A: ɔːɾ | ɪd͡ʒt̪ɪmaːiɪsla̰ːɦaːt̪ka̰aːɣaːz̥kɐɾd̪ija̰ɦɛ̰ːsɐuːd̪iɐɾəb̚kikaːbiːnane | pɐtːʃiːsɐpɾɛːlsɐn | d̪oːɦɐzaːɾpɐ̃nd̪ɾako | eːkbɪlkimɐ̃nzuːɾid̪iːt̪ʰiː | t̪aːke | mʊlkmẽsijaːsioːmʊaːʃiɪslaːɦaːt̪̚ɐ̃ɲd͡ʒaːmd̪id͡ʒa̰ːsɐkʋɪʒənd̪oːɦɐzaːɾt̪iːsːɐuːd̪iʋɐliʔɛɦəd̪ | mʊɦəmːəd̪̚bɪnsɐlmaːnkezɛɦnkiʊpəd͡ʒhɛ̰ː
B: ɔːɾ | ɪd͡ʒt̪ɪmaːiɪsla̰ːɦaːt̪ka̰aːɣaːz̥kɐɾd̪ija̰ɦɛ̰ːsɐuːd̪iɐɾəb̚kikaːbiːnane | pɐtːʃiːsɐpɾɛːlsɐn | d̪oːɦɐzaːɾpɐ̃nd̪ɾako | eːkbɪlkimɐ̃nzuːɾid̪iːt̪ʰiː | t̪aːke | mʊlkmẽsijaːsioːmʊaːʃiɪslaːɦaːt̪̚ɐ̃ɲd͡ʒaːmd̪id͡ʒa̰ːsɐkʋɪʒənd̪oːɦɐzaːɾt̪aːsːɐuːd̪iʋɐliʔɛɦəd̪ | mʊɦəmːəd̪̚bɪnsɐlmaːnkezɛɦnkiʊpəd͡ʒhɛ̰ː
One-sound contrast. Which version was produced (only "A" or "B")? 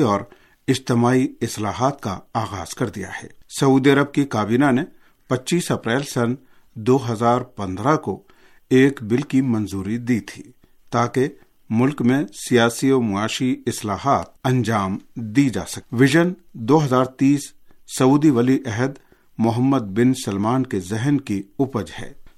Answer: A